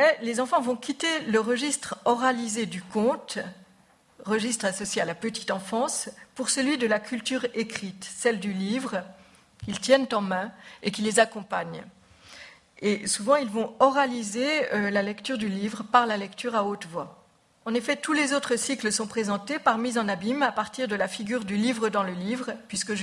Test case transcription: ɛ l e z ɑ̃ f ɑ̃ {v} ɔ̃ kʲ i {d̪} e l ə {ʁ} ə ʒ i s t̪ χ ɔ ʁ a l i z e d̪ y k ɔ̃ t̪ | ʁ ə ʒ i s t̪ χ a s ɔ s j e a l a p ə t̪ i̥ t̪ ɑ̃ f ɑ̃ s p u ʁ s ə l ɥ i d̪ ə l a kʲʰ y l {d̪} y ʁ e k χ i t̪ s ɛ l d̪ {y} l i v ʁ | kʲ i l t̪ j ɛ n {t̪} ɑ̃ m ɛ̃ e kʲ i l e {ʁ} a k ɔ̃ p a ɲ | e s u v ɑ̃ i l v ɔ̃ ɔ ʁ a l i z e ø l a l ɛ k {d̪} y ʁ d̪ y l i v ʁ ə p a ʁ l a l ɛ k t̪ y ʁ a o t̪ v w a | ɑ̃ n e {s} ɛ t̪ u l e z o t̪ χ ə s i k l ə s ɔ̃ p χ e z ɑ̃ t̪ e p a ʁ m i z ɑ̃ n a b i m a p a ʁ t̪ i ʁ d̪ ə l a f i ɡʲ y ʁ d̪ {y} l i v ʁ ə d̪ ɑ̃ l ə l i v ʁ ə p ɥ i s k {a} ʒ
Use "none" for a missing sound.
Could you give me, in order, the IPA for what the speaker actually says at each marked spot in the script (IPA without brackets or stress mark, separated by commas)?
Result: v, t̪, ʁ, t̪, y, t̪, z, t̪, f, y, ə